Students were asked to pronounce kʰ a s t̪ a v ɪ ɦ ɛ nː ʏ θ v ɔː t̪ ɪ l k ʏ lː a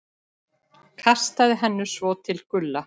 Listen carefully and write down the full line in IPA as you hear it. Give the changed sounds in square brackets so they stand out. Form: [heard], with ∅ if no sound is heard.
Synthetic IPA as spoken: kʰ a s t̪ a [ð] ɪ ɦ ɛ nː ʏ [s] v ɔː [t̪ʰ] ɪ l k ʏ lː a